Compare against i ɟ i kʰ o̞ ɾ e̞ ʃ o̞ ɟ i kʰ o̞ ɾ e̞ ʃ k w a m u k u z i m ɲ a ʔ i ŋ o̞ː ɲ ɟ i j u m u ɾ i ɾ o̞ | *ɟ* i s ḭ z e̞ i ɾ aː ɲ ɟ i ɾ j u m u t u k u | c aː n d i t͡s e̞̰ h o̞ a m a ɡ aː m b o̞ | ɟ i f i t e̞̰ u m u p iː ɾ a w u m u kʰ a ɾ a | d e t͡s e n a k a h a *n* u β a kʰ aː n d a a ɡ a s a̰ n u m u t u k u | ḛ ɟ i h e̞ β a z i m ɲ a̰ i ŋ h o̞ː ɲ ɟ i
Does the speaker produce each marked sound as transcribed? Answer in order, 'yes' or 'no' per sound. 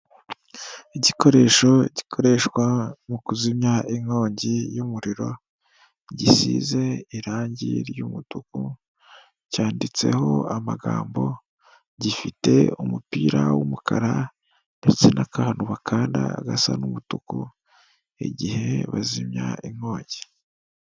yes, yes

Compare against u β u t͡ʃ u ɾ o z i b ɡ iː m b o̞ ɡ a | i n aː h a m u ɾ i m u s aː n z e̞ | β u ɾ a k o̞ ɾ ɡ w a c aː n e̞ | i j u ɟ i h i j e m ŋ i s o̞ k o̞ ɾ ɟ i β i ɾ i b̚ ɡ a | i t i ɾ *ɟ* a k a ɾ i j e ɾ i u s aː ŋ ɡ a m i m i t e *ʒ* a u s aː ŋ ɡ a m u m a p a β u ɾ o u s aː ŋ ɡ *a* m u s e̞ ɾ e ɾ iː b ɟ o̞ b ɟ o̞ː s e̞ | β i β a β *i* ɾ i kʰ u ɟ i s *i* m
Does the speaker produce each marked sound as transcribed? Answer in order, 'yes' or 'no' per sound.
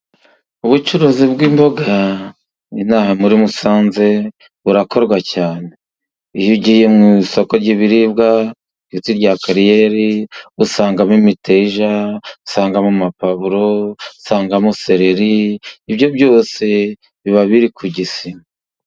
yes, yes, yes, yes, yes

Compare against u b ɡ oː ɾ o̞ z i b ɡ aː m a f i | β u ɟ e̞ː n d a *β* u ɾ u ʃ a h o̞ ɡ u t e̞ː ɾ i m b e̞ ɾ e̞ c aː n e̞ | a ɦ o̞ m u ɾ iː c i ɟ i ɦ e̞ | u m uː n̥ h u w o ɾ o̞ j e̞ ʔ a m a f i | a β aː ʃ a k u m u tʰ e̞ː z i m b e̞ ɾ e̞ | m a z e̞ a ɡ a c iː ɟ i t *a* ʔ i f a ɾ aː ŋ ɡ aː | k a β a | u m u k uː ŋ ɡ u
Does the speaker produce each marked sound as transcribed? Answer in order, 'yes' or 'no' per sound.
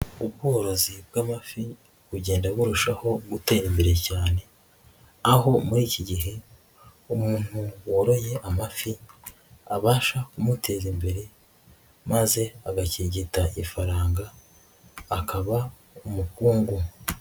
yes, yes

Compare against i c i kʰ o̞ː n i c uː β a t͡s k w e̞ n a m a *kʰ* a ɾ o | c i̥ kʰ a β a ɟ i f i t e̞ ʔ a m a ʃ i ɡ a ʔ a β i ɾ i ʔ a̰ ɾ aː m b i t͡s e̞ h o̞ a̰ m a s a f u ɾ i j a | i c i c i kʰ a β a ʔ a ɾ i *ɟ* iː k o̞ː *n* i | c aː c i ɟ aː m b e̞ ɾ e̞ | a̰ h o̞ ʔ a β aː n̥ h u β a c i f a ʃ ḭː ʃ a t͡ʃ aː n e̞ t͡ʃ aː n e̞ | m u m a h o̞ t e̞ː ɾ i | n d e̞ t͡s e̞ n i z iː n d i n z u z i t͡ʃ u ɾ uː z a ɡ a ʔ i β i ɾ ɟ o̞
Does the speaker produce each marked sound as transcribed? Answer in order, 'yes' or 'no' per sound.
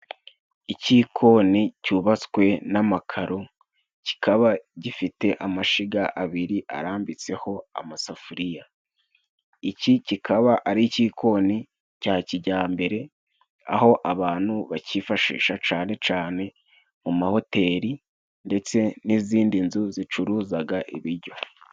yes, no, yes

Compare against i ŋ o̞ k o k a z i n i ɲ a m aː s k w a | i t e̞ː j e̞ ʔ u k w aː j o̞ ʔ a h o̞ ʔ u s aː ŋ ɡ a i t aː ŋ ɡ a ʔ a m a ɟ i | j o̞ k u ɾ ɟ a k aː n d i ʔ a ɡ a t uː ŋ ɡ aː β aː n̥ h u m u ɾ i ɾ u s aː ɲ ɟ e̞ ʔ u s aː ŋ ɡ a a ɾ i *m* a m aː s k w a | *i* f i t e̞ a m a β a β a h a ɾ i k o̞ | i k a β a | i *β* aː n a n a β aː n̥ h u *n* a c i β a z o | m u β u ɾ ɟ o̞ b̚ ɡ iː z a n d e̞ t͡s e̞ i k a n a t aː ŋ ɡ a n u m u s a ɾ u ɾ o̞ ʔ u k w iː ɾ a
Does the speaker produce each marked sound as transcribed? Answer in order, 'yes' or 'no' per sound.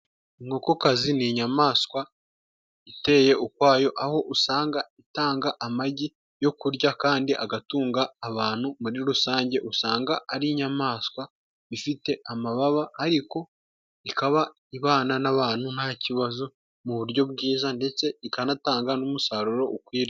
no, yes, yes, yes

